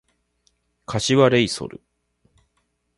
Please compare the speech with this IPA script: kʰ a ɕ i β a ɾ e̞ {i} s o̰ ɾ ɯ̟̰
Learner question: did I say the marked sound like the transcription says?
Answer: yes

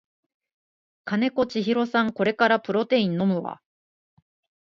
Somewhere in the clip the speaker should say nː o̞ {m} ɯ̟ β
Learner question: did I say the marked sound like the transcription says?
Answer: yes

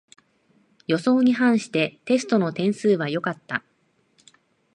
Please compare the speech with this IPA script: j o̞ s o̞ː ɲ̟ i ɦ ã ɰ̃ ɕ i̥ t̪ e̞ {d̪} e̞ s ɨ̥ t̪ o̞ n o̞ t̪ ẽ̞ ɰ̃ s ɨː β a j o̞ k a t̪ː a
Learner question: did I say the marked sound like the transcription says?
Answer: no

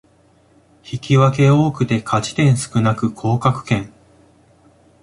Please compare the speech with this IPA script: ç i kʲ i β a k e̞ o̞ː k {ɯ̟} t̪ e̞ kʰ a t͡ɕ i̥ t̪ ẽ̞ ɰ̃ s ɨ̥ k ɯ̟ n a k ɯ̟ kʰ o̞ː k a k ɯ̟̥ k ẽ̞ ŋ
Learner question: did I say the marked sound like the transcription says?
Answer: yes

